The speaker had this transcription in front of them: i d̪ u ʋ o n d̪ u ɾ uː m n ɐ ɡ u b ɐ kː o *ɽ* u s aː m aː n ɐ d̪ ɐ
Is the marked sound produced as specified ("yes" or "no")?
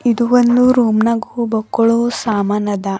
no